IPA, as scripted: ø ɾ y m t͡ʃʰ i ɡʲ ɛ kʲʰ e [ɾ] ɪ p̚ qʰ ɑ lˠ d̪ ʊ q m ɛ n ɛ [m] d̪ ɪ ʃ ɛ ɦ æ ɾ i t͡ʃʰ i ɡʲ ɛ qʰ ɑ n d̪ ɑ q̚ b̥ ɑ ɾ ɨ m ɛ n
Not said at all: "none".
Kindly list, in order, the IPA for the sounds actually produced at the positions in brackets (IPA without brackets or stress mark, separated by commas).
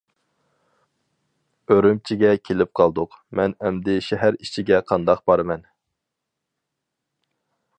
l, m